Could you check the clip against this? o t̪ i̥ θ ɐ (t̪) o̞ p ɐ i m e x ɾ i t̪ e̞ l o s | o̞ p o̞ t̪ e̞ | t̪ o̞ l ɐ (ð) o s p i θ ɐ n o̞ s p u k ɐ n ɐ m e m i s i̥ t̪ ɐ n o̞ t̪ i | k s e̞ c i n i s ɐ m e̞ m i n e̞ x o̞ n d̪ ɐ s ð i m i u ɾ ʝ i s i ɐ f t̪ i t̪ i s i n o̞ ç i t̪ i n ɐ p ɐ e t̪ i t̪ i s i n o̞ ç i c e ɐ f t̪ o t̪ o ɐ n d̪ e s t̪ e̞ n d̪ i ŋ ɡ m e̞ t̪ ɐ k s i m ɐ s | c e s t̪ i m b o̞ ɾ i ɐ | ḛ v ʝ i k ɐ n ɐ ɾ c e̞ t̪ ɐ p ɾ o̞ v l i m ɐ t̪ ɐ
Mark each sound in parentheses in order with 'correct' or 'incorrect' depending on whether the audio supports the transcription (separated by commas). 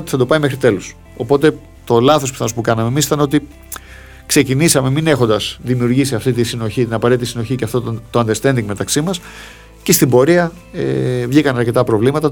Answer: incorrect, incorrect